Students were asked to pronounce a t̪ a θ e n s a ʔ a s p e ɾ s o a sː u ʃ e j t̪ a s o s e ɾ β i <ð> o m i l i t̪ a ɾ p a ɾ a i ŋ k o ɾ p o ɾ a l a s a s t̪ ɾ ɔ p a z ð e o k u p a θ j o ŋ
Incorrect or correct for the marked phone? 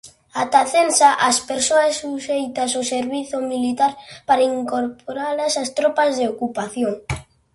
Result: incorrect: θ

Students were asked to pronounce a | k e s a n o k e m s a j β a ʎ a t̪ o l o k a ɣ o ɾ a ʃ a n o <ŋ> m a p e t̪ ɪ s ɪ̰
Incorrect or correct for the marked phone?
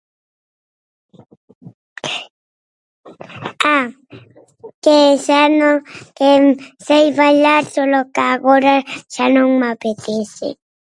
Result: correct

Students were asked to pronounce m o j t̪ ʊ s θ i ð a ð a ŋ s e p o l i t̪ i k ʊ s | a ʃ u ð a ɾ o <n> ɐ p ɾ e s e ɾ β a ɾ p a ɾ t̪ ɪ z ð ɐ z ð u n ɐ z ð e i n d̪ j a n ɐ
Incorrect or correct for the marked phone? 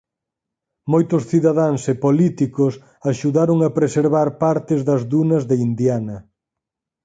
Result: incorrect: ŋ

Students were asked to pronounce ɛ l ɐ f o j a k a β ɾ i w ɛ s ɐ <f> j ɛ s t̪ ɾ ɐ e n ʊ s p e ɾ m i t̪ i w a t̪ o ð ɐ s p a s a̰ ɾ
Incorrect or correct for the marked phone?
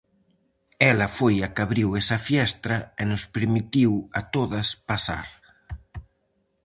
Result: correct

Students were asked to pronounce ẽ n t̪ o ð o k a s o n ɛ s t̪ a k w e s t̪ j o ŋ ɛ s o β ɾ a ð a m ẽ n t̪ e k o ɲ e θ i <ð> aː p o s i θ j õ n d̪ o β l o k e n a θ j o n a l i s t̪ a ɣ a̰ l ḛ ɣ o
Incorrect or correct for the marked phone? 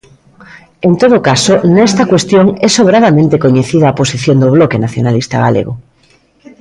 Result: correct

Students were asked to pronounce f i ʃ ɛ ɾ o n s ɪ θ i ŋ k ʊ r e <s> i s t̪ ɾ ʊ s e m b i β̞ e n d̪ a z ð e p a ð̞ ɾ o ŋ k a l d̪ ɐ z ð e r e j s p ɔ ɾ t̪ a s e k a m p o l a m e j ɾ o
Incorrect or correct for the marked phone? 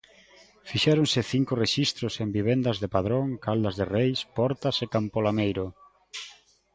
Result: incorrect: ʃ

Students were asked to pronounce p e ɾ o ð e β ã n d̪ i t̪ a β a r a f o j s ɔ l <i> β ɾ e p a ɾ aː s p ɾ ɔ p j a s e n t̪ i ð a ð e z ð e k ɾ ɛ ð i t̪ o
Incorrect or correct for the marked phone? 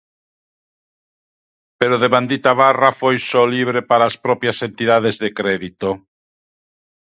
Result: correct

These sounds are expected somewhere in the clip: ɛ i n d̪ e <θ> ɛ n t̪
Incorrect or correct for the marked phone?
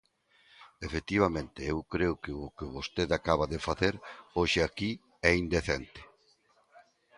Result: correct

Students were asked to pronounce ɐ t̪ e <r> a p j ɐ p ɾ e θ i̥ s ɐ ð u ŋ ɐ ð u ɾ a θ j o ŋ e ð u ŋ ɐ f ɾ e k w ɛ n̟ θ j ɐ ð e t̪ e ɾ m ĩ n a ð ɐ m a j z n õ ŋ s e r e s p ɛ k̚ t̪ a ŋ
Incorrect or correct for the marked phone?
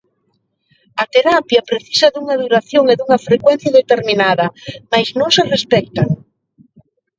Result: incorrect: ɾ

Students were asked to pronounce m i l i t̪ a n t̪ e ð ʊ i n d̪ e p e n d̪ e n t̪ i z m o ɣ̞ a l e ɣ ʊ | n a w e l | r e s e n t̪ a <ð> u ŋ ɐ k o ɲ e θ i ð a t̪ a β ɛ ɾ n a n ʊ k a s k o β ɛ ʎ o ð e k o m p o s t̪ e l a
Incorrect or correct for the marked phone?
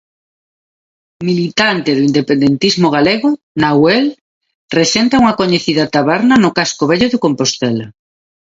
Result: incorrect: none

